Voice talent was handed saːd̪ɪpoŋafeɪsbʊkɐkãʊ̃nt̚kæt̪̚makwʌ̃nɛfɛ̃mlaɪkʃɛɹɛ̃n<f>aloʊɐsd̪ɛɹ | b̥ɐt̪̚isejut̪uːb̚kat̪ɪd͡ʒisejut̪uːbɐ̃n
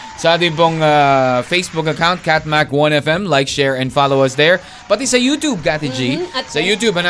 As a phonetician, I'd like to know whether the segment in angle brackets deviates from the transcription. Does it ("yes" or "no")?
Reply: no